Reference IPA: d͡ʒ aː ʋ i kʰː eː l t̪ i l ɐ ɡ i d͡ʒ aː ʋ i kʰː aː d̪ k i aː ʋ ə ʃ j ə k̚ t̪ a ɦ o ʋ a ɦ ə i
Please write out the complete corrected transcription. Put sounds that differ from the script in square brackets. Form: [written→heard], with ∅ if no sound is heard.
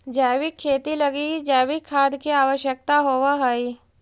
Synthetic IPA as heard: d͡ʒ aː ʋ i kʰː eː [l→∅] t̪ i l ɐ ɡ i d͡ʒ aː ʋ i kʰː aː d̪ k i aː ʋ ə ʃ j ə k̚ t̪ a ɦ o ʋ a ɦ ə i

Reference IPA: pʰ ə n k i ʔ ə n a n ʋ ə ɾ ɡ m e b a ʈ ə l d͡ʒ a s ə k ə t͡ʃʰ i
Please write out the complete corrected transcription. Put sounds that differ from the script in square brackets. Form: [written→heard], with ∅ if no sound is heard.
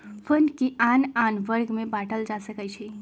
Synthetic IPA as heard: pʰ ə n k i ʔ [ə→a] n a n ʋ ə ɾ ɡ m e b a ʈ ə l d͡ʒ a s ə k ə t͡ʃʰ i

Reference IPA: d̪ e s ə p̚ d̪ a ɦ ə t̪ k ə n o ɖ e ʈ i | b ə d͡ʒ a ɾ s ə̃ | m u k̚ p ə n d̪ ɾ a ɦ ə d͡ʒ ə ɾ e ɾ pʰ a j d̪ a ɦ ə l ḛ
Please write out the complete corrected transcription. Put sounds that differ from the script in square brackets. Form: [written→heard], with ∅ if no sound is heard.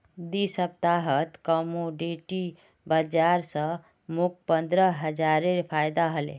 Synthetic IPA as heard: d̪ [e→i] s ə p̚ [d̪→t̪] a ɦ ə t̪ k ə [n→m] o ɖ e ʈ i | b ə d͡ʒ a ɾ s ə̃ | m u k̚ p ə n d̪ ɾ [a→ə] ɦ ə d͡ʒ [ə→a] ɾ e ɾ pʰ a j d̪ a ɦ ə l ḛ

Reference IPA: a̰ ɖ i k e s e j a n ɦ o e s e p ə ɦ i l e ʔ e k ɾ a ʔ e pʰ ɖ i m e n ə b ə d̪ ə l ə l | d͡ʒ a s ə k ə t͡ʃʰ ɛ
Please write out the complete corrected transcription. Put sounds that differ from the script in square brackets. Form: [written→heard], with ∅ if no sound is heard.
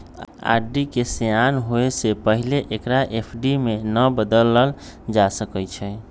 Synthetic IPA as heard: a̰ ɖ i k e s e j a n ɦ o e s e p ə ɦ i l e ʔ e k ɾ a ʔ e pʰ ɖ i m e n ə b ə d̪ ə l ə l | d͡ʒ a s ə k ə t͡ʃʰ ɛ

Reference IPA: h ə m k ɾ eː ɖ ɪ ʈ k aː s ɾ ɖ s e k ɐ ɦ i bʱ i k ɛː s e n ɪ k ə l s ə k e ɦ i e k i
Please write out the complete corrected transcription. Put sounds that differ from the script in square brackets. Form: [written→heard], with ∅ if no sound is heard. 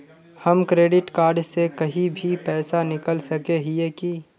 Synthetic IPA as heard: h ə m k ɾ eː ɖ ɪ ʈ k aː [s→∅] ɾ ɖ s e k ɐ ɦ i bʱ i [k→p] ɛː s [e→a] n ɪ k ə l s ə k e ɦ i e k i

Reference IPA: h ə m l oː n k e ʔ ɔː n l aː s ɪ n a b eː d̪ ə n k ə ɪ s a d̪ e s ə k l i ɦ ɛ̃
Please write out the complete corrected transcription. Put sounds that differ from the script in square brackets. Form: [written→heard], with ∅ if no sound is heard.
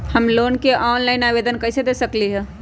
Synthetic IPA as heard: h ə m l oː n k e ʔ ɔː n l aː [s→∅] ɪ n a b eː d̪ ə n k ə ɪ s [a→e] d̪ e s ə k l i ɦ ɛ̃

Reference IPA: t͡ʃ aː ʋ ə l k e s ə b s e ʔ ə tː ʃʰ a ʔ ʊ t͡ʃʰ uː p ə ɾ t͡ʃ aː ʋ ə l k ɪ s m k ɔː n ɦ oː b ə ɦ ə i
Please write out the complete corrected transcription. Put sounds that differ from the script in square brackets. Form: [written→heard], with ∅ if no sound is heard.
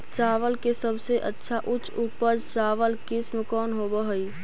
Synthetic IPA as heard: t͡ʃ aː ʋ ə l k e s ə b s e ʔ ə tː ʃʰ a ʔ ʊ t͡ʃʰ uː p ə ɾ t͡ʃ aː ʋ ə l k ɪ s m k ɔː n ɦ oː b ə ɦ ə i

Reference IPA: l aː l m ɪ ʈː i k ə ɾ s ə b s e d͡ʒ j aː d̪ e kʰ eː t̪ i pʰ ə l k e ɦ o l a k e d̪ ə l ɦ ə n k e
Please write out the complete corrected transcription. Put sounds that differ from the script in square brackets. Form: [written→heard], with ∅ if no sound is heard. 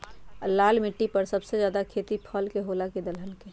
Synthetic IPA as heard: l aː l m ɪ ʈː i [k→p] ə ɾ s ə b s e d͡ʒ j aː d̪ [e→a] kʰ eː t̪ i pʰ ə l k e ɦ o l a k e d̪ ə l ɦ ə n k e

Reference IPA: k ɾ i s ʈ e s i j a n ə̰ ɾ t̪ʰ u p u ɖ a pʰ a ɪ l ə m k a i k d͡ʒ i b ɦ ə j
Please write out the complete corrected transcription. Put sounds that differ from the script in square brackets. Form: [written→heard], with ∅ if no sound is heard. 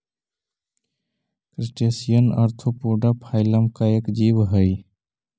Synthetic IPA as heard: k ɾ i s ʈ e s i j [a→ə] n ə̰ ɾ t̪ʰ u p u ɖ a pʰ a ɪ l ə m k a [i→e] k d͡ʒ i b ɦ ə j

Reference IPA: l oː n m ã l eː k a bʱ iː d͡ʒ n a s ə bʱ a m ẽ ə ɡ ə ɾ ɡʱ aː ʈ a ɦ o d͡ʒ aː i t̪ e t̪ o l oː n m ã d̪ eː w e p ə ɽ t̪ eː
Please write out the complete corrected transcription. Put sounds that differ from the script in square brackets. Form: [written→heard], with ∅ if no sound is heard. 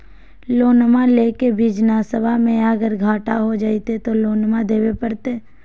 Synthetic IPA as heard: l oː n m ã l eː k [a→e] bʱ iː d͡ʒ n a s ə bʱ a m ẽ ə ɡ ə ɾ ɡʱ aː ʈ a ɦ o d͡ʒ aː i t̪ e t̪ o l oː n m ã d̪ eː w e p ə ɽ t̪ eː

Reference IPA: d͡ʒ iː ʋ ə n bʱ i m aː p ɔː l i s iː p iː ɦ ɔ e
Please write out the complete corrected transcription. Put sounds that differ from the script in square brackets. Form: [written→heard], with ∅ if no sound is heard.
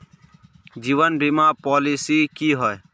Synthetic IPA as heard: d͡ʒ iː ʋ ə n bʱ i m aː p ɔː l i s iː [p→k] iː ɦ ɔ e

